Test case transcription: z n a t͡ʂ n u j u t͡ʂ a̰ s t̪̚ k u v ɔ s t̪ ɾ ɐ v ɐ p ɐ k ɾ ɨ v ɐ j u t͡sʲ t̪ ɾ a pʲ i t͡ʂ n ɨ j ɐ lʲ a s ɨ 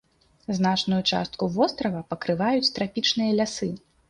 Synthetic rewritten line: z n a t͡ʂ n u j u t͡ʂ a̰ s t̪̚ k u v ɔ s t̪ ɾ ɐ v ɐ p ɐ k ɾ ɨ v a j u t͡sʲ t̪ ɾ a pʲ i t͡ʂ n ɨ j ɐ lʲ a s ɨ